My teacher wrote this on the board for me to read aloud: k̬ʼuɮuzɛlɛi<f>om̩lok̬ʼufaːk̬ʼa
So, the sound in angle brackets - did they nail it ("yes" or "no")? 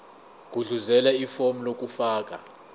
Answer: yes